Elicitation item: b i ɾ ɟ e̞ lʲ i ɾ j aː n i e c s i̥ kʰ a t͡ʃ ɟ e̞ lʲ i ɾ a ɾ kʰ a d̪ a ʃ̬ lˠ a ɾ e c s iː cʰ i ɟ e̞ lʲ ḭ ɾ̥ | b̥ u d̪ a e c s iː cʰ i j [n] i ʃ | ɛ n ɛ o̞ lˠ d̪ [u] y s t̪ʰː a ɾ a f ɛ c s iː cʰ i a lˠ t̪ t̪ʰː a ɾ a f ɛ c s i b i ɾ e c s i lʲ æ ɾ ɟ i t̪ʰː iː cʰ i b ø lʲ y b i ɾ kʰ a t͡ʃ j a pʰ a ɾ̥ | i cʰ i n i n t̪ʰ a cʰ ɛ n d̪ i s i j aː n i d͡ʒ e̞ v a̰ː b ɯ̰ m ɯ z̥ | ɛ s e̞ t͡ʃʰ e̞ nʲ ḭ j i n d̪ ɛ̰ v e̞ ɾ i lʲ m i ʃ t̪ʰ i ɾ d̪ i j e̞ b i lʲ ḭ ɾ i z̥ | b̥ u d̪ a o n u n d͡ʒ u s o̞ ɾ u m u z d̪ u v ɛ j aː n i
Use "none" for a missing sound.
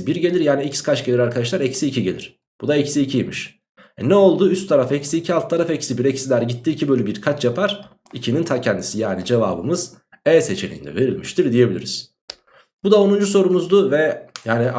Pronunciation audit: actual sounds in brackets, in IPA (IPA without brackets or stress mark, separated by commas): m, uː